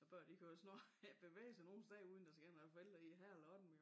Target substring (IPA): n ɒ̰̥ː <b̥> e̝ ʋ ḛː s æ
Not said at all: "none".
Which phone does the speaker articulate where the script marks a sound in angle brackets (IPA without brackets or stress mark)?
b̥